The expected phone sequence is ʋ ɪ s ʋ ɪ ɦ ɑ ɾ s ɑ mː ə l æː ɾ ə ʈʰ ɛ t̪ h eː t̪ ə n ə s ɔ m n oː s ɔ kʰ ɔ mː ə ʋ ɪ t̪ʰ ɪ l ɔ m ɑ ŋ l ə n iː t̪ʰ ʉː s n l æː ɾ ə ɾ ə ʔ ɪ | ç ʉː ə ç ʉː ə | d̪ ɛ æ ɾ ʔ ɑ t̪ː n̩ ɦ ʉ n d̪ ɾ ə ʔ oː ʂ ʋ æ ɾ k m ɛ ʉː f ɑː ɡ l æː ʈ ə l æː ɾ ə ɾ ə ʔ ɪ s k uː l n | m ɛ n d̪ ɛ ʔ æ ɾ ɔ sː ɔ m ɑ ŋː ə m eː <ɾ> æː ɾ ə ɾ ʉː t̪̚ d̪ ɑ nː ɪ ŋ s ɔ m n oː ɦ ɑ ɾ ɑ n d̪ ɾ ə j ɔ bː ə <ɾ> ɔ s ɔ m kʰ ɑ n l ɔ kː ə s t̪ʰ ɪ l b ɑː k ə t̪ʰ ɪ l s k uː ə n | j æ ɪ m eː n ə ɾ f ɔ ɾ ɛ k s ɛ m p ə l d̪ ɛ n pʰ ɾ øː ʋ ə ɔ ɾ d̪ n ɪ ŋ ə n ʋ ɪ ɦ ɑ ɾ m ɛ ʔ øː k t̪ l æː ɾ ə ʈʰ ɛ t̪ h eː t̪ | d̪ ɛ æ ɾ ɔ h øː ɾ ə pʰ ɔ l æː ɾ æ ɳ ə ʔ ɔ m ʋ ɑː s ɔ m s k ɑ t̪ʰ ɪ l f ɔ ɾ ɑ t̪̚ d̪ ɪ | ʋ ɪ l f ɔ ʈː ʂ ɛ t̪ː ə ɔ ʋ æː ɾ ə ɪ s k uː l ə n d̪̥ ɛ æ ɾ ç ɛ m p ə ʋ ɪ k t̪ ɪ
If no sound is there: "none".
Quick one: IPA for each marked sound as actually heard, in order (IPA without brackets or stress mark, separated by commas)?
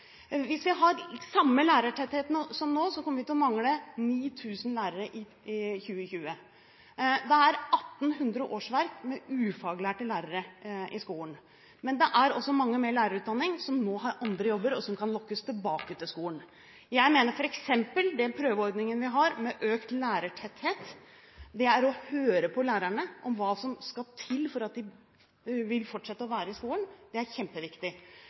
ɭ, ɾ